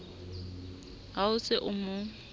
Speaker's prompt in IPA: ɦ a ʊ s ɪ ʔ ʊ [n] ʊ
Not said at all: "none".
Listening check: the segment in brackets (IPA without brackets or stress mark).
m